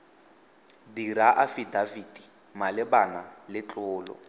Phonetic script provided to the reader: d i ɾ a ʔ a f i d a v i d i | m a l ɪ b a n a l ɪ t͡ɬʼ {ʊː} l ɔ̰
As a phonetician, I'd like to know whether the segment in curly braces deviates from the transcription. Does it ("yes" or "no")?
no